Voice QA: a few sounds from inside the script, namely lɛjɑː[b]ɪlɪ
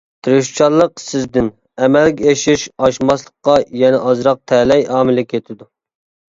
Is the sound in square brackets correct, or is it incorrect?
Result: incorrect